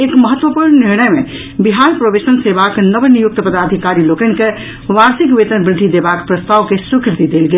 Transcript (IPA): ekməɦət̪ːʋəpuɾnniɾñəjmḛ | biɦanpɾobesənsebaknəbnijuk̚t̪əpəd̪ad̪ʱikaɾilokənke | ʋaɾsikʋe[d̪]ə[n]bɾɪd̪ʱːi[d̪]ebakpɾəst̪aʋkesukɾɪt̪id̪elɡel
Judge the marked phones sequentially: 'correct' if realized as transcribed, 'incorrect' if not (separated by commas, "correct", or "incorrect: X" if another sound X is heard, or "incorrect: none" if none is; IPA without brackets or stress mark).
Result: incorrect: t̪, correct, correct